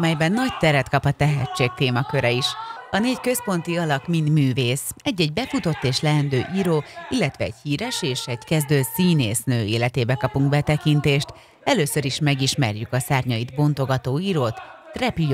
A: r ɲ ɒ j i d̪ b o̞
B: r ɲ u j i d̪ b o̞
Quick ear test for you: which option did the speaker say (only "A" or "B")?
A